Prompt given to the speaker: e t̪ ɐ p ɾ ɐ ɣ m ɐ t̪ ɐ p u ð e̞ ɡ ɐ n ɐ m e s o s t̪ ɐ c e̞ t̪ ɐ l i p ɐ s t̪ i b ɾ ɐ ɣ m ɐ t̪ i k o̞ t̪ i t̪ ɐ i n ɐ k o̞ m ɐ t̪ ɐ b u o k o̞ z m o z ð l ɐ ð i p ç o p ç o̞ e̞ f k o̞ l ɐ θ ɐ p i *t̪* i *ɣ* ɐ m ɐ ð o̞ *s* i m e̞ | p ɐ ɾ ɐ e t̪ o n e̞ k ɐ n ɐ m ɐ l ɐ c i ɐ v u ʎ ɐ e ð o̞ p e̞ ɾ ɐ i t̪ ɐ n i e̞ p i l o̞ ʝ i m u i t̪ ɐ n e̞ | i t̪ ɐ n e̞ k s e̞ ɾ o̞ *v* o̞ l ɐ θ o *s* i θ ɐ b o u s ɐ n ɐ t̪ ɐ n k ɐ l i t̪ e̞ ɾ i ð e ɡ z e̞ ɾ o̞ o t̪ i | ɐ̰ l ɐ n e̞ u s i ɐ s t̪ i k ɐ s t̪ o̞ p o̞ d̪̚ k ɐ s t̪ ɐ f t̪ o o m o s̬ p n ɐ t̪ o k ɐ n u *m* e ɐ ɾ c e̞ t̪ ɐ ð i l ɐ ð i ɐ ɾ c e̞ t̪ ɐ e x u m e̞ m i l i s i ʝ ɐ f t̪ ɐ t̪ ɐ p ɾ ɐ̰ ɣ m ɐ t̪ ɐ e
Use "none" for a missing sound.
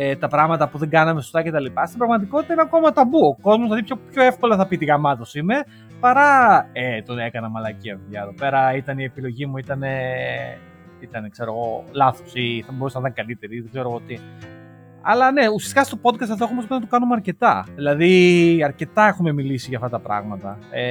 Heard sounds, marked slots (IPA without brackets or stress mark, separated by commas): t̪, ɣ, s, ɣ, s, m